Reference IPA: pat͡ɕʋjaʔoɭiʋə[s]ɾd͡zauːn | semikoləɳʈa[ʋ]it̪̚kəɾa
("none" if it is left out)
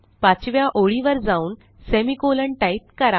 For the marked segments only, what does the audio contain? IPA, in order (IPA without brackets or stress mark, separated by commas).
none, none